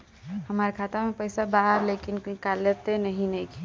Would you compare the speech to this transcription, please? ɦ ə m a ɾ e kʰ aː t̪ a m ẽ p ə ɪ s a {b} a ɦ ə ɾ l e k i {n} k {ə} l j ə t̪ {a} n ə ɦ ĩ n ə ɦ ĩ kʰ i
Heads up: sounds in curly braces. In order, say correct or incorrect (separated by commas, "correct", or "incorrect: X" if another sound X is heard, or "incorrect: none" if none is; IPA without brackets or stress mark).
correct, correct, incorrect: a, incorrect: e